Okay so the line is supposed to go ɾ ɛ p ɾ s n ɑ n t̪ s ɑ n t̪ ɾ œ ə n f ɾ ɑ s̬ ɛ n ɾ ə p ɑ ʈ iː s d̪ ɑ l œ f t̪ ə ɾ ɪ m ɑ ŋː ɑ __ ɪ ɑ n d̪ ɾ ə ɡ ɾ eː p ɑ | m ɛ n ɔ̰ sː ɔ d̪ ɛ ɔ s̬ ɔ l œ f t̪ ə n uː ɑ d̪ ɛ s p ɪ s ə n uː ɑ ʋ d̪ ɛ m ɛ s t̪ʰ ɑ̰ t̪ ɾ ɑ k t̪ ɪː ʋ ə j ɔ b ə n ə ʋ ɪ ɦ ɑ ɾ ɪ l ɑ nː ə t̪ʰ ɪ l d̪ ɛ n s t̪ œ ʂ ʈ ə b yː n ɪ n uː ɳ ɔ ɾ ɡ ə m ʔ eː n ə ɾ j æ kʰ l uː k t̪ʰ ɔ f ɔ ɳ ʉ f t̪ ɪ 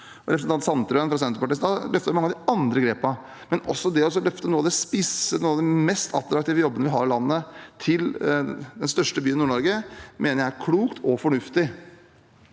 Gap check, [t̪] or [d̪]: d̪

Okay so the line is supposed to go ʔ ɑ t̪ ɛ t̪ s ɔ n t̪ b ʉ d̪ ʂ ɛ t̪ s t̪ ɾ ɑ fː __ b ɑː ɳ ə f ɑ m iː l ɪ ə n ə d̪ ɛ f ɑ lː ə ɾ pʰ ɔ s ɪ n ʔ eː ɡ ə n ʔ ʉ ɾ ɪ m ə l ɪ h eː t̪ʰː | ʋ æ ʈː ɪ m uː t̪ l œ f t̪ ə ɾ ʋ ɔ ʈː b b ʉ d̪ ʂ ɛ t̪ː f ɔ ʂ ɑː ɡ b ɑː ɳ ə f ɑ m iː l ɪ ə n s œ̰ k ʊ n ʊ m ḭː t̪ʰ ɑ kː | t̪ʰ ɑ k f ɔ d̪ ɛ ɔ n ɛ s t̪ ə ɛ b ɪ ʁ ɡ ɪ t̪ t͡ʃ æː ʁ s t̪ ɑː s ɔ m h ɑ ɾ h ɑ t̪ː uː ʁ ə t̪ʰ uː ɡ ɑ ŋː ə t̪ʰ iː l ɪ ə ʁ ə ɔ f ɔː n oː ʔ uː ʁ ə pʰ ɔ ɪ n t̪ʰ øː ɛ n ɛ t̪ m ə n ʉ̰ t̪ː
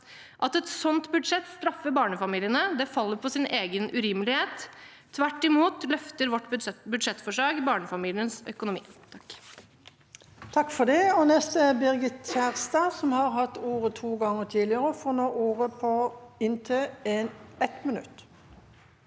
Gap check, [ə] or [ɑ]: ə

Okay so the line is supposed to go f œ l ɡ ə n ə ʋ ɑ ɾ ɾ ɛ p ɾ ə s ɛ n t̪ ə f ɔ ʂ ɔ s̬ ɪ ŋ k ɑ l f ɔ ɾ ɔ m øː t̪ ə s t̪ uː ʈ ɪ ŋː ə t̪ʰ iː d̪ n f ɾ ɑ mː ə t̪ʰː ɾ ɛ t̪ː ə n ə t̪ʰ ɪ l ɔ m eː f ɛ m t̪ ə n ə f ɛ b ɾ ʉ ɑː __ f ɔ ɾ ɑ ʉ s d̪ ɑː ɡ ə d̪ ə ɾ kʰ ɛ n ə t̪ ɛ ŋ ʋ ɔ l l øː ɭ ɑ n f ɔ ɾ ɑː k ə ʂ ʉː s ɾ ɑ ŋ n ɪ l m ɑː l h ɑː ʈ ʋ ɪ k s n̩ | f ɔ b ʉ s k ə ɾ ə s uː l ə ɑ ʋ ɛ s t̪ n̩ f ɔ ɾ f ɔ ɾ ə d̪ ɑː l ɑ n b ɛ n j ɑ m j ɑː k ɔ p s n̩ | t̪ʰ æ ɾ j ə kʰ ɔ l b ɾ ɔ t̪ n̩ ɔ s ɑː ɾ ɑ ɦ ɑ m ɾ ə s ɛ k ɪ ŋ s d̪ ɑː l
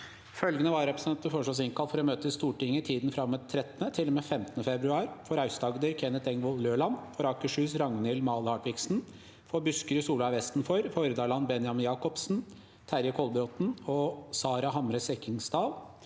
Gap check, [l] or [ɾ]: ɾ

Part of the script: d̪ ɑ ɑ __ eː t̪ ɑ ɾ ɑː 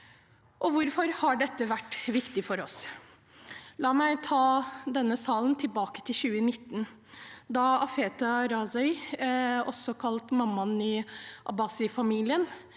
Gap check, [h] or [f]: f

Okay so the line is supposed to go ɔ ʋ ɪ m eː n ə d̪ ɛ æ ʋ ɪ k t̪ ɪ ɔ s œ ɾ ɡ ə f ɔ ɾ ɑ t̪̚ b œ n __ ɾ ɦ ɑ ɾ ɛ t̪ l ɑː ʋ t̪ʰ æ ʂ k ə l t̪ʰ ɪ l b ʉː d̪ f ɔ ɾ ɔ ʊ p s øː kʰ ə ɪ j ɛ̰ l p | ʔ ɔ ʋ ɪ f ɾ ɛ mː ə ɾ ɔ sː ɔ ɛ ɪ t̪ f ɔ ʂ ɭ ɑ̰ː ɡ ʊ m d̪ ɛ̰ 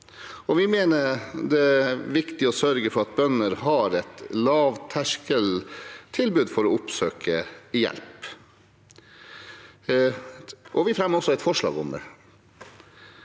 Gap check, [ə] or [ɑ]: ə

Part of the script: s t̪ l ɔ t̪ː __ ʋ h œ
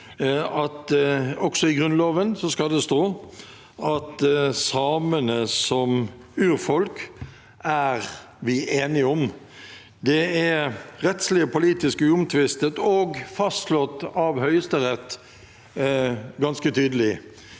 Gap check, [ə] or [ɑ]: ɑ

